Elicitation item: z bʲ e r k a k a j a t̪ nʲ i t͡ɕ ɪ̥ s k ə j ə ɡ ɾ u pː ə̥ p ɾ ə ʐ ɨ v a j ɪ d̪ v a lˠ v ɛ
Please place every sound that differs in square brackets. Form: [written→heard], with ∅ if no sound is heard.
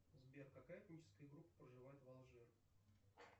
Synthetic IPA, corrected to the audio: z bʲ e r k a k a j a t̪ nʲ i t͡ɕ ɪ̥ s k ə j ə ɡ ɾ u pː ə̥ p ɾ ə ʐ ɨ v a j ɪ [d̪→t̪] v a lˠ [v→ʐ] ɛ